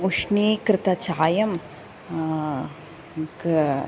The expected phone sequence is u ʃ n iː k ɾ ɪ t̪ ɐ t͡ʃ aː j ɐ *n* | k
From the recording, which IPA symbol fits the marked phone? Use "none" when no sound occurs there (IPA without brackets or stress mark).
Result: m